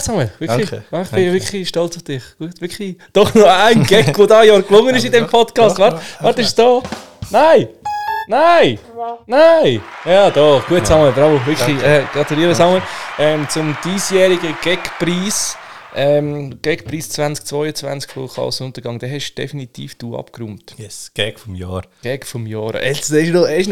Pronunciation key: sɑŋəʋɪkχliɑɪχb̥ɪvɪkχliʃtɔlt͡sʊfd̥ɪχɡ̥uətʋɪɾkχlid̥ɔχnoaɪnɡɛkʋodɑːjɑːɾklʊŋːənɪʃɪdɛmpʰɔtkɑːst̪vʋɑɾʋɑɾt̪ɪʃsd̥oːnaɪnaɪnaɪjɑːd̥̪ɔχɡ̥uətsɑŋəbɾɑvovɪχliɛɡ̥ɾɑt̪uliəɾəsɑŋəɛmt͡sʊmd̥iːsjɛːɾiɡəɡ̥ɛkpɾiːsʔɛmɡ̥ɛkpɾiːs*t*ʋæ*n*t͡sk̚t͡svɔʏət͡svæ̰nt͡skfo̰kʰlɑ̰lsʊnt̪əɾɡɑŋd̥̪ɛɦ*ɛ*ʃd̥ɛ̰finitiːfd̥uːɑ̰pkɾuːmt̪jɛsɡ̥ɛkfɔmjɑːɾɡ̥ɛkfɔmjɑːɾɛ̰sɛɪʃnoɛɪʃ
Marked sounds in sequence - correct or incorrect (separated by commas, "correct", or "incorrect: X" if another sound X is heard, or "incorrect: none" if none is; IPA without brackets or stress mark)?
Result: incorrect: t͡s, correct, correct